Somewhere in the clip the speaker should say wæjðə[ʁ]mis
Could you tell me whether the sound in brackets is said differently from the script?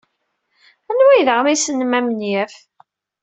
no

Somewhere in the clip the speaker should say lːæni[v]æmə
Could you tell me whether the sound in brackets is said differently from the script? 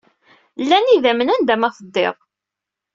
yes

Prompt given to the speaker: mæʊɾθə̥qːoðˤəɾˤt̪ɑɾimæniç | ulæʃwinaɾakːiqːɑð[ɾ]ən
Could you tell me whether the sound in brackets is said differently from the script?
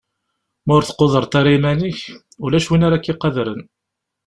no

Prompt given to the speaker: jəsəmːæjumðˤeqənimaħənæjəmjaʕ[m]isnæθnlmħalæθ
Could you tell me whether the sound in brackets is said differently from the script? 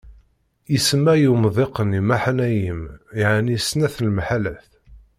yes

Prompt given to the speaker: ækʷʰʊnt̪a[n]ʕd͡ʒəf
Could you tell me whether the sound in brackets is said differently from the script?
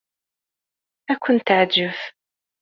yes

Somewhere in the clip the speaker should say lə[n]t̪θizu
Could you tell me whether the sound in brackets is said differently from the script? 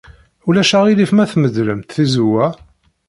yes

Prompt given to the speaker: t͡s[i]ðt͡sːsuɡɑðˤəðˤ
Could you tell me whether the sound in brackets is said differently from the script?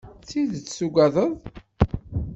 no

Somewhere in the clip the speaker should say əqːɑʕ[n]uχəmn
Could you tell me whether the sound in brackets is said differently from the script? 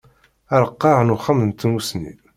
no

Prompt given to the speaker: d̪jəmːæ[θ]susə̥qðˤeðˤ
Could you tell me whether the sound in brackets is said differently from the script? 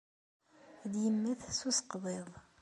no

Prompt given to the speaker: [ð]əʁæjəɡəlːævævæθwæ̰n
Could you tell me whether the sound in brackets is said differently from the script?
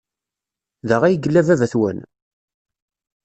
no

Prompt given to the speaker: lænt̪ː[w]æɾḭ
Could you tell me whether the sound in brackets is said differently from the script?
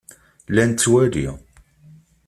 no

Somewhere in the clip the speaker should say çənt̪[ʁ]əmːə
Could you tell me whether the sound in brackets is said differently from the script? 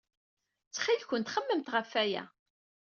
yes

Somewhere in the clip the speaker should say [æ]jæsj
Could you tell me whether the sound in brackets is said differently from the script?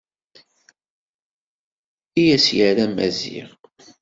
yes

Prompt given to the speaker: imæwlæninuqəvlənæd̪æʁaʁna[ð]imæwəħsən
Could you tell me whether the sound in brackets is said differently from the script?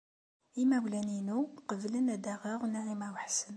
yes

